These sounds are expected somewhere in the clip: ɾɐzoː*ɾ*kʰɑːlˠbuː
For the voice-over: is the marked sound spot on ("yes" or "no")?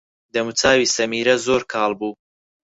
yes